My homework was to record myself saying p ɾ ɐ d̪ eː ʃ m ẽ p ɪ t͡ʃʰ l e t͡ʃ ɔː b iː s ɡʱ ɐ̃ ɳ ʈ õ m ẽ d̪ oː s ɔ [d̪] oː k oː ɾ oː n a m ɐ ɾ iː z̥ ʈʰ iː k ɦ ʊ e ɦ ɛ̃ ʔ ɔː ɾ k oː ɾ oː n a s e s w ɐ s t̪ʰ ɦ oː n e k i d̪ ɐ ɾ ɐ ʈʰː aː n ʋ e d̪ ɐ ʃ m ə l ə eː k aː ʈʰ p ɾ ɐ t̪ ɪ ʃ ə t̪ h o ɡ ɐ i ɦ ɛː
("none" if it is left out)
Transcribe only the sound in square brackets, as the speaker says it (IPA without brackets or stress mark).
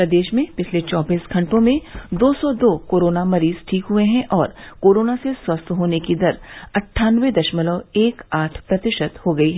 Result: d̪